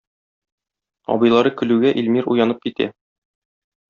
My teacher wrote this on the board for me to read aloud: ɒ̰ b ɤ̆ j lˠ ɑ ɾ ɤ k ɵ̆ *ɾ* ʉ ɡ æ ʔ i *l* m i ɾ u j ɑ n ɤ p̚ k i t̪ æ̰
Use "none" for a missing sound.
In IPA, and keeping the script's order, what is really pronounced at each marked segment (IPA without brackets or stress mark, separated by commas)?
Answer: l, l